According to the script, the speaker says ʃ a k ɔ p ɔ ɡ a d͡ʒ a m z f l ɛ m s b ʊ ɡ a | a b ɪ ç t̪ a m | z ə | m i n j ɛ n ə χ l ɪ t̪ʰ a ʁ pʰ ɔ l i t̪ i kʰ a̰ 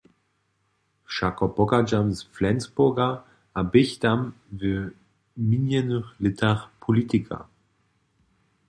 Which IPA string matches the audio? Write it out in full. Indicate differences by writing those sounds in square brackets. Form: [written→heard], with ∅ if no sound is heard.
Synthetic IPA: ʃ a k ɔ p ɔ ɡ a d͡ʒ a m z f l ɛ [m→n] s b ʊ ɡ a | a b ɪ ç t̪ a m | [z→v] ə | m i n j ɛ n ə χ l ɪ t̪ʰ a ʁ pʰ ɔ l i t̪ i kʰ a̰